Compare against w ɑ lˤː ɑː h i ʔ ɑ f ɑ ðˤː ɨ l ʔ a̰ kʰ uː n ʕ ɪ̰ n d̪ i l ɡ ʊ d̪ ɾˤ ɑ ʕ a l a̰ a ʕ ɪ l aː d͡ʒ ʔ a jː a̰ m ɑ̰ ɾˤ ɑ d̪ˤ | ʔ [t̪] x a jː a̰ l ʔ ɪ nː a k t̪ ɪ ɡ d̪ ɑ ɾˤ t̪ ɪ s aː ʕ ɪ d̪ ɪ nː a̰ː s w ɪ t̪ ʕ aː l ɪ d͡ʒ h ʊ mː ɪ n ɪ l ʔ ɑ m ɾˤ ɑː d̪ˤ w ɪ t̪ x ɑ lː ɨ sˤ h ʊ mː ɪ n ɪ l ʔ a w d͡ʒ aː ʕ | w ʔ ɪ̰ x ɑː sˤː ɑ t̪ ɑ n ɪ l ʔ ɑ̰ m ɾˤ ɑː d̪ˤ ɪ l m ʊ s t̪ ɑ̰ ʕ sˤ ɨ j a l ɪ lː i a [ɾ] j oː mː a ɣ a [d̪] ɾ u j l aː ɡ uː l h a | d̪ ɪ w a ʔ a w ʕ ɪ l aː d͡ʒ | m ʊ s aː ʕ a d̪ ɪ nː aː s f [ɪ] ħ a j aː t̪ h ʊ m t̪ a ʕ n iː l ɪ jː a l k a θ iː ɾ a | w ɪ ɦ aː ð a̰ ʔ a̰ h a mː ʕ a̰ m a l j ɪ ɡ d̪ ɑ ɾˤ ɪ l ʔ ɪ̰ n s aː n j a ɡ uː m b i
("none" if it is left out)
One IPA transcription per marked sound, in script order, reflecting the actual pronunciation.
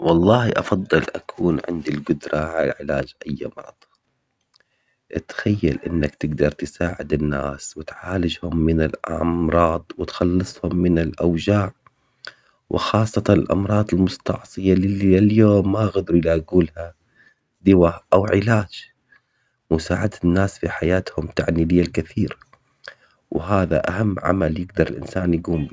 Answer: t̪, l, d̪, i

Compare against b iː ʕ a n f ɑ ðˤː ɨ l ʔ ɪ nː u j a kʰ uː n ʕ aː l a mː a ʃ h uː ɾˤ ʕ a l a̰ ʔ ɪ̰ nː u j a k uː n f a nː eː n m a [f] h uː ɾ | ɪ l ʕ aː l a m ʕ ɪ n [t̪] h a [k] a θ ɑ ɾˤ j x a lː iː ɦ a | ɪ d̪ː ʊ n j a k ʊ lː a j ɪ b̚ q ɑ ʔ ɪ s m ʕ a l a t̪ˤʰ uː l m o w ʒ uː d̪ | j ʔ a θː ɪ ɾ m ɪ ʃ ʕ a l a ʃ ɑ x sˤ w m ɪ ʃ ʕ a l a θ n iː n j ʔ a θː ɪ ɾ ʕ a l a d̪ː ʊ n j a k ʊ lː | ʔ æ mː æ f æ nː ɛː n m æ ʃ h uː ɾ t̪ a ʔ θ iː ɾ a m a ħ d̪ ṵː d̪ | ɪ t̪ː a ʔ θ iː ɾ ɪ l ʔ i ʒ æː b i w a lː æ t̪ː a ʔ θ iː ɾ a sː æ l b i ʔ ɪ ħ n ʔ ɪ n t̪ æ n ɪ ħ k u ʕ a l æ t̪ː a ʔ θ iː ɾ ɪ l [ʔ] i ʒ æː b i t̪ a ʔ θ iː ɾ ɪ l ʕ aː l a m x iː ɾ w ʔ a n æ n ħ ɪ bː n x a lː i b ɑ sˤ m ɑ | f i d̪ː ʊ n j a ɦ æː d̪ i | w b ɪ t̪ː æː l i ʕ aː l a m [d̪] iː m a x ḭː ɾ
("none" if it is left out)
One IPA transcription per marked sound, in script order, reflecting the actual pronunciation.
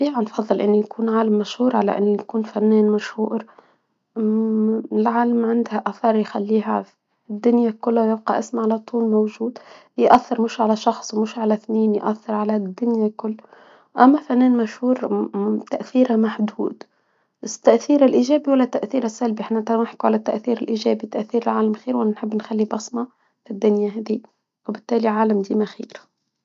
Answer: ʃ, d̪, ʔ, ʔ, d̪

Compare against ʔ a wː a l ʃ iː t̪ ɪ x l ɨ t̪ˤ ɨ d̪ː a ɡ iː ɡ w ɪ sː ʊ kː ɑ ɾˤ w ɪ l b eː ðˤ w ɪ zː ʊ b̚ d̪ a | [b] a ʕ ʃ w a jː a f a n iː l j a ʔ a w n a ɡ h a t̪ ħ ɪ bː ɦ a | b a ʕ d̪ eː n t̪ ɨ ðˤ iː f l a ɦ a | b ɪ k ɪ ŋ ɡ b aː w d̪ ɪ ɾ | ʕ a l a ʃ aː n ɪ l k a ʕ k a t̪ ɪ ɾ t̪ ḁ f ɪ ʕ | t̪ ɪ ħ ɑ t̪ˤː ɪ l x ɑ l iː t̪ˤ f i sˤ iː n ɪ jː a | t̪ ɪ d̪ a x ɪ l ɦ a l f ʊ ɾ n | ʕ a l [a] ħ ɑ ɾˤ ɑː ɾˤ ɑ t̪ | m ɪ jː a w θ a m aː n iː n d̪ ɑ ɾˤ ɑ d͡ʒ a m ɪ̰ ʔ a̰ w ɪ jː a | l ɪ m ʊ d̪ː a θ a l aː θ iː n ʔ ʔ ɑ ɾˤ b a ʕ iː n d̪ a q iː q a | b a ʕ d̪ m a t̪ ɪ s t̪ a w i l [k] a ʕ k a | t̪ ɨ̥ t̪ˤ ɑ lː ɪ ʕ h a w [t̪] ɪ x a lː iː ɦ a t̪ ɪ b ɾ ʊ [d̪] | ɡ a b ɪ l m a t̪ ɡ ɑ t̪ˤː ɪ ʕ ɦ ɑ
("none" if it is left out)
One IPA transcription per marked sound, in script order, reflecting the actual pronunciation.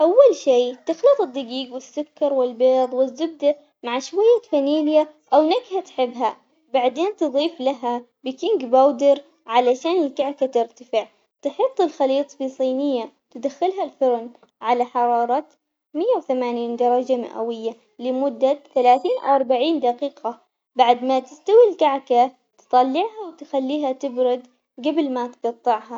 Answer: m, a, k, t̪, d̪

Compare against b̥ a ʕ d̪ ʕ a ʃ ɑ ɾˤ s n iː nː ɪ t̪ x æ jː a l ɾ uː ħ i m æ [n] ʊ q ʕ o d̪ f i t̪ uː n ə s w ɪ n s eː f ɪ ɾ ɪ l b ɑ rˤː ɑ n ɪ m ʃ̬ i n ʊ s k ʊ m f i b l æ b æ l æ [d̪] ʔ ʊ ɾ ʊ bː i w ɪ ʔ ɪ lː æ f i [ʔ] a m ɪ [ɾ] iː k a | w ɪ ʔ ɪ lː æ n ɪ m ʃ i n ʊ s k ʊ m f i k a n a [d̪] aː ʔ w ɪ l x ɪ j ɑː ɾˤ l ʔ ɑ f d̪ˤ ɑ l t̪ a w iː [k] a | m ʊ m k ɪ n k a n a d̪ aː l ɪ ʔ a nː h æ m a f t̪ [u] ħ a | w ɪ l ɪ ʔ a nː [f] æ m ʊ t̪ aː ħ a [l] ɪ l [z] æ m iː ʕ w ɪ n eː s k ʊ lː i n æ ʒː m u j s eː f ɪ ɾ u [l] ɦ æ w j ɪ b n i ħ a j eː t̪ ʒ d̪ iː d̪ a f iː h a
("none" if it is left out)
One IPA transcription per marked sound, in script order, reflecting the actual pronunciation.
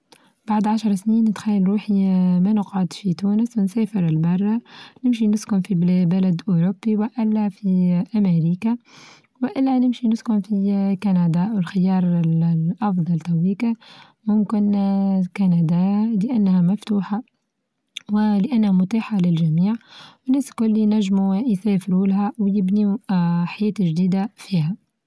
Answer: n, d̪, ʔ, ɾ, d̪, k, uː, h, l, ʒ, l

